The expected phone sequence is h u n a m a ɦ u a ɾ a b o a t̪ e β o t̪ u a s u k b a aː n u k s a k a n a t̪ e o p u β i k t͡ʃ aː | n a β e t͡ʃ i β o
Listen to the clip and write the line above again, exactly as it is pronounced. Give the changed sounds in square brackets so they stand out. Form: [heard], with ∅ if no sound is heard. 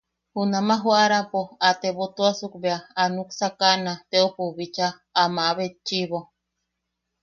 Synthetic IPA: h u n a m a ɦ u a ɾ a [p] o a t̪ e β o t̪ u a s u k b [e] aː n u k s a k a n a t̪ e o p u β i [∅] t͡ʃ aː | [m] a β e t͡ʃ i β o